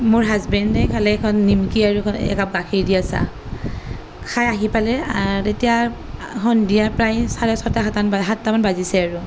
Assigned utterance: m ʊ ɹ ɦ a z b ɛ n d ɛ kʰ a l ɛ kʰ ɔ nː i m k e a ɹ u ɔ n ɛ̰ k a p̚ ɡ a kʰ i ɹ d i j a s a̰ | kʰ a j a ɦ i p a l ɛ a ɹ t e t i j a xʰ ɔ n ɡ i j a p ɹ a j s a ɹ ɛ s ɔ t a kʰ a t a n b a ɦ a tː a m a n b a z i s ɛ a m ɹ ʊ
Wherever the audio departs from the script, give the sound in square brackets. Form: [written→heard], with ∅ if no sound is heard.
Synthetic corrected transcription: m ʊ ɹ ɦ a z b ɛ n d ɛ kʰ a l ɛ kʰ ɔ nː i m k [e→i] a ɹ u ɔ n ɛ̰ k a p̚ ɡ a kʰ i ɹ d i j a s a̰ | kʰ a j a ɦ i p a l ɛ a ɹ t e t i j a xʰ ɔ n [ɡ→d] i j a p ɹ a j s a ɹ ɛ s ɔ t a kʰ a t a n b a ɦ a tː a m a n b a z i s ɛ a [m→∅] ɹ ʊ

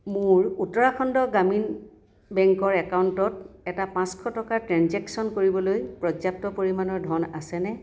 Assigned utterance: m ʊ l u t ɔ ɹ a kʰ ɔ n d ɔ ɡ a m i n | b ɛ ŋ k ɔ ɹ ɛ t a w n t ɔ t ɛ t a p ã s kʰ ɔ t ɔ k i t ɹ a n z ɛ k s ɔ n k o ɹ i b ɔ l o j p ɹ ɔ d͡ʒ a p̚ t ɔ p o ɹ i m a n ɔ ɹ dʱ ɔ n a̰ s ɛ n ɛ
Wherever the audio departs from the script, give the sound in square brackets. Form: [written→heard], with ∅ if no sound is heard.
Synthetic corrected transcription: m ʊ [l→ɹ] u t ɔ ɹ a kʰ ɔ n d ɔ ɡ a m i n | b ɛ ŋ k ɔ ɹ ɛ [t→k] a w n t ɔ t ɛ t a p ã s kʰ ɔ t ɔ k [i→a] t ɹ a n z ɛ k s ɔ n k o ɹ i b ɔ l o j p ɹ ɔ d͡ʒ a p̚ t ɔ p o ɹ i m a n ɔ ɹ dʱ ɔ n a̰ s ɛ n ɛ

